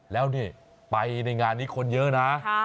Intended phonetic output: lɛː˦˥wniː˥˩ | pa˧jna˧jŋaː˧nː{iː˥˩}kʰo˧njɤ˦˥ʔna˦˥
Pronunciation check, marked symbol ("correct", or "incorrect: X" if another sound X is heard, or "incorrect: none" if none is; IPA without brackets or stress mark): incorrect: iː˦˥